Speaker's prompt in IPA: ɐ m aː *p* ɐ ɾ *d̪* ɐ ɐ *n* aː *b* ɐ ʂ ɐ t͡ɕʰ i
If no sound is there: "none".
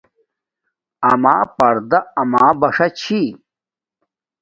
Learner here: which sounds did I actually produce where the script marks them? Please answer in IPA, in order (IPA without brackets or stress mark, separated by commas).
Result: p, d̪, m, b